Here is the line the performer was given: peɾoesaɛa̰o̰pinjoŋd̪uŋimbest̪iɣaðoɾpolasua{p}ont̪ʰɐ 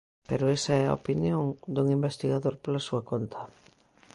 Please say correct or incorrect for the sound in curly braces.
incorrect